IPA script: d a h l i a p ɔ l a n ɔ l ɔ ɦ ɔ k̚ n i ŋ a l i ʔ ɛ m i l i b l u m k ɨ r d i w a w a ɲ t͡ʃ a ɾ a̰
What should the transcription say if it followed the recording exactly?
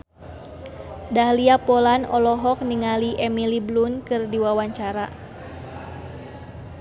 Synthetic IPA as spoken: d a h l i a p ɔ l a n ɔ l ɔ ɦ ɔ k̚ n i ŋ a l i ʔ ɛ m i l i b l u n k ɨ r d i w a w a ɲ t͡ʃ a ɾ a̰